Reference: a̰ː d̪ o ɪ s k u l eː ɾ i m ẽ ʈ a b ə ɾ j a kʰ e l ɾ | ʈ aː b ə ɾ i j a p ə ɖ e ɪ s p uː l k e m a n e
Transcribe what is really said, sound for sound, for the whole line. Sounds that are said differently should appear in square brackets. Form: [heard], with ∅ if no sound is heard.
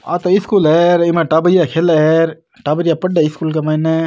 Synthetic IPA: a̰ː [t̪] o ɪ s k u l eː ɾ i m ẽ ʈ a b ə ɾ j a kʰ e l ɾ | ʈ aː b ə ɾ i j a p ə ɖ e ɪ s [k] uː l k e m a n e